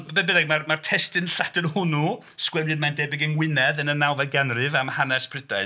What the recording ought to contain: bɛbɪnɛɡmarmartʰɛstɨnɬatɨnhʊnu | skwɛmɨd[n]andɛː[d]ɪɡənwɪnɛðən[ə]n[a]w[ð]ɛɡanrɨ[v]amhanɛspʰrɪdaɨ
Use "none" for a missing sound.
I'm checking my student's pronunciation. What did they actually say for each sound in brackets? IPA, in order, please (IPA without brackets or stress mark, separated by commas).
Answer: m, b, ə, a, v, v